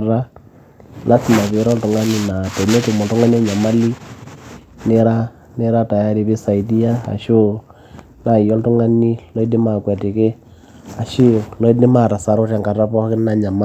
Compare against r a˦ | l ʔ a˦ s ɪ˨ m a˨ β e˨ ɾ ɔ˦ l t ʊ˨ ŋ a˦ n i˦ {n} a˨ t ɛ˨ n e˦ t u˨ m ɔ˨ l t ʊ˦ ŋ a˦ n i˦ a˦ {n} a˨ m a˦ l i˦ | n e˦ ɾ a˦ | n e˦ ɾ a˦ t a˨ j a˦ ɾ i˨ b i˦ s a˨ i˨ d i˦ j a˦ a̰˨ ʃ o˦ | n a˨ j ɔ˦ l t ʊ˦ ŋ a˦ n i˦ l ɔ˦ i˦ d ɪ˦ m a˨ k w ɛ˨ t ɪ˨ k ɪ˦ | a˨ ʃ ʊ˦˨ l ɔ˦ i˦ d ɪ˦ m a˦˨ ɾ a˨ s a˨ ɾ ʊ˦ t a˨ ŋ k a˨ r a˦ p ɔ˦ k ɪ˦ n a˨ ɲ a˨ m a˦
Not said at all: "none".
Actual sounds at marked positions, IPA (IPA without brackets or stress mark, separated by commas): n, ɲ